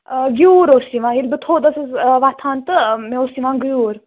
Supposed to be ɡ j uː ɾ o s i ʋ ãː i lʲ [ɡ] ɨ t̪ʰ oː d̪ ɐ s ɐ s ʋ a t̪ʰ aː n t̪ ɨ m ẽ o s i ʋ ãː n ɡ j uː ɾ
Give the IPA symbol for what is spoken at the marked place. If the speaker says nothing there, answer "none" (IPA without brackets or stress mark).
b